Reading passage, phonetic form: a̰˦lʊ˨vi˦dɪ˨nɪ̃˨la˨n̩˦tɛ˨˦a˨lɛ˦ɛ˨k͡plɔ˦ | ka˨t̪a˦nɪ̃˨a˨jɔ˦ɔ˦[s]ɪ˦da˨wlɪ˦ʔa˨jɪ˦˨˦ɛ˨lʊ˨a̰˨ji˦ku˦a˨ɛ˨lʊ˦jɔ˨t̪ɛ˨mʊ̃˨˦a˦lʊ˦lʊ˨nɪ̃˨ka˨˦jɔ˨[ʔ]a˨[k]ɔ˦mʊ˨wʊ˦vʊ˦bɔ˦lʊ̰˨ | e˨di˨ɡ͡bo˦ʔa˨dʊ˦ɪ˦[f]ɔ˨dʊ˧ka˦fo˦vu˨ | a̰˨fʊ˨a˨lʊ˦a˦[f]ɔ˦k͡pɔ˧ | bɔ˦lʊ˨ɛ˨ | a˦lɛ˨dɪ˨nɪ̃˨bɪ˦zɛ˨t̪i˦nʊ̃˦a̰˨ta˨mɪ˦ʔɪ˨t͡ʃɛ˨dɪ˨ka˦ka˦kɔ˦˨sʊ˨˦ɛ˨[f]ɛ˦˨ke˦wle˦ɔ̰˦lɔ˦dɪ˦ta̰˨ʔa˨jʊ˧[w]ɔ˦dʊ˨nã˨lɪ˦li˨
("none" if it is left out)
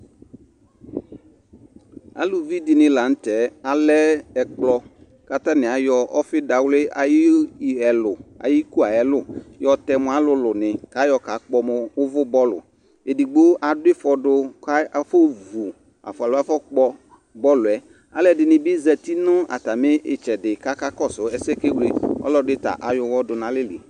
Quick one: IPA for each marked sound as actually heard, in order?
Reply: f, k, k͡p, f, f, s, w

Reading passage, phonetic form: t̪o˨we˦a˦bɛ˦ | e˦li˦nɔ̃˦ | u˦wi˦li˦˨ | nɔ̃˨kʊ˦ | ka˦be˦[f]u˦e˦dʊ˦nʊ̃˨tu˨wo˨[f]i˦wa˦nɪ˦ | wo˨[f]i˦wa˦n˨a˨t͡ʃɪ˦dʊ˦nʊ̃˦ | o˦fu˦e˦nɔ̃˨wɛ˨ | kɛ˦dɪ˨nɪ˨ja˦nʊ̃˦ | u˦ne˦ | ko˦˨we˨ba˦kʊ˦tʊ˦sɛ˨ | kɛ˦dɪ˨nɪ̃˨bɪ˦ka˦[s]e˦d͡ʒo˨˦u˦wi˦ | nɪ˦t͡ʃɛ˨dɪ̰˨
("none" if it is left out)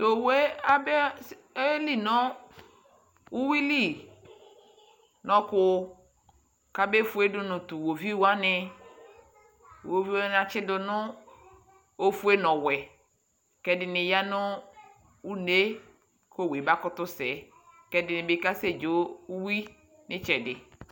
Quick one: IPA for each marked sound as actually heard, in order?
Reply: f, v, v, s

